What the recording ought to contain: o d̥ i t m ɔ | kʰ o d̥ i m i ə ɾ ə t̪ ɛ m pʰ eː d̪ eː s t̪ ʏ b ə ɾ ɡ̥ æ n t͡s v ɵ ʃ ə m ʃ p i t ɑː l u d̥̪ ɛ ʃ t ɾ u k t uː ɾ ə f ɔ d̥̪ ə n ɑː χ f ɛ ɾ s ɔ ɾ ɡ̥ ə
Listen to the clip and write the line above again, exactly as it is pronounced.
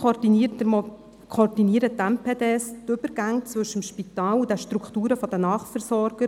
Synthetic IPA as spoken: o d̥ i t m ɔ | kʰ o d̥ i n i ə ɾ ə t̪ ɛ m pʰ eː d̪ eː s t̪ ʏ b ə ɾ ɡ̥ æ ŋ t͡s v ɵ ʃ ə m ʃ p i t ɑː l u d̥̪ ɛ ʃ t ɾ u k t uː ɾ ə f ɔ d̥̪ ə n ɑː χ f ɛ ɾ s ɔ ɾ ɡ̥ ə